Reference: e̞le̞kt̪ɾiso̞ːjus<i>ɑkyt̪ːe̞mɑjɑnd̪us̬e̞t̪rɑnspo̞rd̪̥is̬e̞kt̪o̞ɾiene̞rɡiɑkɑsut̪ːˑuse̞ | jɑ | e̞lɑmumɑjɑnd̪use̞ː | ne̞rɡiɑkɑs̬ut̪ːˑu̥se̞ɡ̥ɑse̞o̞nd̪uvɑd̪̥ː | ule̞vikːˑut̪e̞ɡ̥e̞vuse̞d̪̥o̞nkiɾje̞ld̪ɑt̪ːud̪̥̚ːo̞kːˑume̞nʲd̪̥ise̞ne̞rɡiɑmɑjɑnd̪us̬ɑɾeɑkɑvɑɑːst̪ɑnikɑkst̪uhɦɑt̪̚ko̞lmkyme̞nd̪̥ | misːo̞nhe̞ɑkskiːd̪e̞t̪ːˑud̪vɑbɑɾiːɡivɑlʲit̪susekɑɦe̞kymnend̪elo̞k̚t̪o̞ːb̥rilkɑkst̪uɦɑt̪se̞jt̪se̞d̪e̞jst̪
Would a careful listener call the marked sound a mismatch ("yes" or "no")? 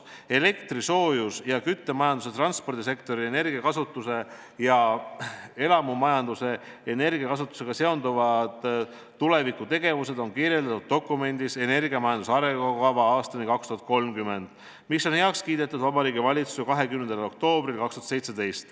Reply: yes